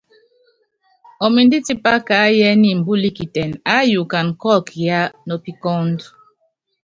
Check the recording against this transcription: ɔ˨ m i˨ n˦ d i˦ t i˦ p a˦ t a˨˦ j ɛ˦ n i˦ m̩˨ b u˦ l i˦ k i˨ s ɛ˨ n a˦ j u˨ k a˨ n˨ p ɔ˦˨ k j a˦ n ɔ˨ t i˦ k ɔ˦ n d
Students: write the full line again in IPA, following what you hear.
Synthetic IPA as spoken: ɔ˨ m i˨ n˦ d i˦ t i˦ p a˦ k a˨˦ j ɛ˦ n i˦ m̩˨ b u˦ l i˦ k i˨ t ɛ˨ n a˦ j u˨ k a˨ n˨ k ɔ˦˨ k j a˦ n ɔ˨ p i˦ k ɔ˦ n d